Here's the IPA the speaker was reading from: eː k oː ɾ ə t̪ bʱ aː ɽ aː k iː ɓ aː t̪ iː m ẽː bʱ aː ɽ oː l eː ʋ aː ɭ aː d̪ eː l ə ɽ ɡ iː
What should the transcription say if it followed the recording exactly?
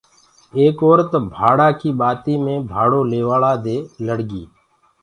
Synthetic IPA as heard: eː k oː ɾ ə t̪ bʱ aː ɽ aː k iː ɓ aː t̪ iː m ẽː bʱ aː ɽ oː l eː ʋ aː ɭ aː d̪ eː l ə ɽ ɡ iː